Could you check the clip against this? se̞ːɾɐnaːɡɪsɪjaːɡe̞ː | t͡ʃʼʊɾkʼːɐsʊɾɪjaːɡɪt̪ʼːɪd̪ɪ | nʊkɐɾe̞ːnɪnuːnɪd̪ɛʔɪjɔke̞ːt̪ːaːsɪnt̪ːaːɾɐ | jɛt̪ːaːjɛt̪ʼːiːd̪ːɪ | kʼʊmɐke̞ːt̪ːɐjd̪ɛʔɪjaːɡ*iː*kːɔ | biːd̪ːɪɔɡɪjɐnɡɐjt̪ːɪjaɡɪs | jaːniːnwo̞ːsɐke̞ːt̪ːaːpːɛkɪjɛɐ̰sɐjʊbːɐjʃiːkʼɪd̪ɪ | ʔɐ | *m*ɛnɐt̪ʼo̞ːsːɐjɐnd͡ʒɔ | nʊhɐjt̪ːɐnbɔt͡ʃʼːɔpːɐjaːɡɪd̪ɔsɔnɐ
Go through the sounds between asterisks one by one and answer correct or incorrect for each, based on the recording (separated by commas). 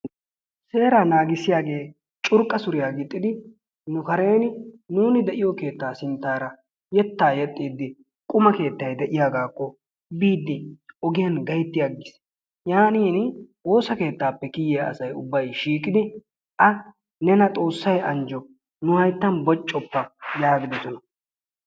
incorrect, incorrect